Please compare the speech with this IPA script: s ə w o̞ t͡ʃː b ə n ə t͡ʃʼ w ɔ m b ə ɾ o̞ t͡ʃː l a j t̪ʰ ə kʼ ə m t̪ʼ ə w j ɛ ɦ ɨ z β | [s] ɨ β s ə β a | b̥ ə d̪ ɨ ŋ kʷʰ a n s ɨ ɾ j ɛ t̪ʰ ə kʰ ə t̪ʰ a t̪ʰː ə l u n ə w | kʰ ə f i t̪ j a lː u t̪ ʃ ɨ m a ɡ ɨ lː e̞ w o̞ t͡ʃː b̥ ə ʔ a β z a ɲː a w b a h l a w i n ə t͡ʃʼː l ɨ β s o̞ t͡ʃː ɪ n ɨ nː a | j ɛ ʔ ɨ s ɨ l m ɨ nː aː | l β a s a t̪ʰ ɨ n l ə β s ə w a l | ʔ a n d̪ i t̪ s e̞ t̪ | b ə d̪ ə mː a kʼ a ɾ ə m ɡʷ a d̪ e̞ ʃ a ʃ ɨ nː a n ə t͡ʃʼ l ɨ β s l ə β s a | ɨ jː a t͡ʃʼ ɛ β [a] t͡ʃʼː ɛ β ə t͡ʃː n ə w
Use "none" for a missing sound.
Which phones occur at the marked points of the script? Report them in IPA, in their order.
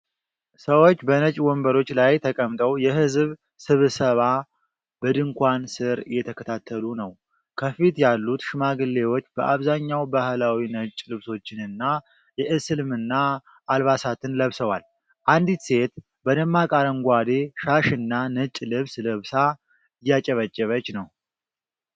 s, ə

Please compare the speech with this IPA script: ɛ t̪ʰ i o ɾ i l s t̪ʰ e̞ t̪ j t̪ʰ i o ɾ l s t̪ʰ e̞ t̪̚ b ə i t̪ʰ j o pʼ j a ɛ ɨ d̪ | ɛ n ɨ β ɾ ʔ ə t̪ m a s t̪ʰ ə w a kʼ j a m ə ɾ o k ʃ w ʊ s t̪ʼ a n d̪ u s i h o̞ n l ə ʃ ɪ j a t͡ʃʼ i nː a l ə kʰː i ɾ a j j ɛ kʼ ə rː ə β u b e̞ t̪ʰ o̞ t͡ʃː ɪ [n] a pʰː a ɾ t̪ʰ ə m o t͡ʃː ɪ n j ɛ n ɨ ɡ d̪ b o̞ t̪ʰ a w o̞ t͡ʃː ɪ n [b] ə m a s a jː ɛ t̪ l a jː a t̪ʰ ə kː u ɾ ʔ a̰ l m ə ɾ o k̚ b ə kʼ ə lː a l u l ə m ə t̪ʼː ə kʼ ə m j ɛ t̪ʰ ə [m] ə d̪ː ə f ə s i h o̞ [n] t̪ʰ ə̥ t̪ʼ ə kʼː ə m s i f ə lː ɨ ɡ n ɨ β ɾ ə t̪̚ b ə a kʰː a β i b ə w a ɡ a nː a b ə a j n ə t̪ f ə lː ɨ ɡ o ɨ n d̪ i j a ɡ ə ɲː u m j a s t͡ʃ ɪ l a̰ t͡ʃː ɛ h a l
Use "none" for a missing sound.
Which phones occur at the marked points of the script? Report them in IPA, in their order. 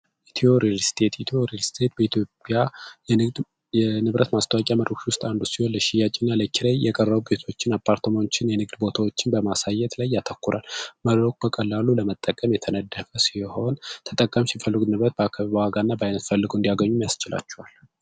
n, b, n, n

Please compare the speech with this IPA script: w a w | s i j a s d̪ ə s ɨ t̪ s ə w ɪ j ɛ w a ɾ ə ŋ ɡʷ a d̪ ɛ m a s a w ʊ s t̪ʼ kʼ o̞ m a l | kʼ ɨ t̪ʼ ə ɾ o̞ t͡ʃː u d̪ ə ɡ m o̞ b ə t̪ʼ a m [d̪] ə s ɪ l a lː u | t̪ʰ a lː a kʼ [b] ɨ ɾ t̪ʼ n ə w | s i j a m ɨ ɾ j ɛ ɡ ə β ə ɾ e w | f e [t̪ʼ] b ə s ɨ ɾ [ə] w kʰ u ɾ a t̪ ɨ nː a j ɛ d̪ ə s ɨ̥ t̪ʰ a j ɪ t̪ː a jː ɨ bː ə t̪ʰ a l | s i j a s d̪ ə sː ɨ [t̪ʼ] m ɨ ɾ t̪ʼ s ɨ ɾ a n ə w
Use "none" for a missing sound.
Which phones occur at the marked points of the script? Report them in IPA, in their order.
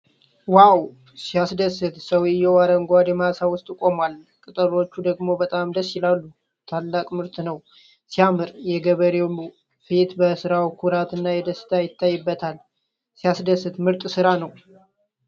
d̪, m, t̪, a, t̪

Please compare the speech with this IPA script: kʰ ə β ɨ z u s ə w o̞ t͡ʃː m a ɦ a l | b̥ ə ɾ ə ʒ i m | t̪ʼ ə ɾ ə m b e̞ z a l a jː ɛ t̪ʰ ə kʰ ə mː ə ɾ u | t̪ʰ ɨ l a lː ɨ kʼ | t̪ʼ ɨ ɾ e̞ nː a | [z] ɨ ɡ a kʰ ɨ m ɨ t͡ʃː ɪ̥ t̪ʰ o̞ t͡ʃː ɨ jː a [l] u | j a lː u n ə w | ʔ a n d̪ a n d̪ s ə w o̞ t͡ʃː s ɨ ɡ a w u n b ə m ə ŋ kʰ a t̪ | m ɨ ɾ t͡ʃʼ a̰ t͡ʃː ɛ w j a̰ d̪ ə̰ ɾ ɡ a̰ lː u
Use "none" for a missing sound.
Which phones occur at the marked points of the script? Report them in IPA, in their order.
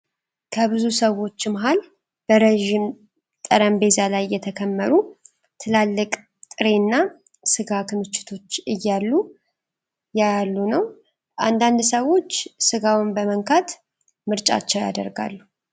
s, lː

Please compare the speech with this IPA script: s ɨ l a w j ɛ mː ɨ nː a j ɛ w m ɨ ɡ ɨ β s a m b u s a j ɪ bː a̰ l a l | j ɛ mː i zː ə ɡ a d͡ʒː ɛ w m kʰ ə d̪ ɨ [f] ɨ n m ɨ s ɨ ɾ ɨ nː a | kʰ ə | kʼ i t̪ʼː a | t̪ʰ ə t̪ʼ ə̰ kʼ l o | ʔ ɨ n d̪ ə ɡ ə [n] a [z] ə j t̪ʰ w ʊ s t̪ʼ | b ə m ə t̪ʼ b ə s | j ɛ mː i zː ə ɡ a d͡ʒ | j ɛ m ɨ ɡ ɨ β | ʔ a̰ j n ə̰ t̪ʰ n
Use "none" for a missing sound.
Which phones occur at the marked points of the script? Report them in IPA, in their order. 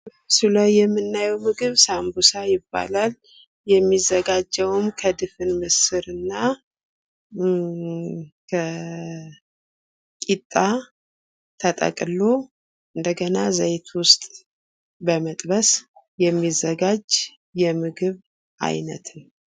f, n, z

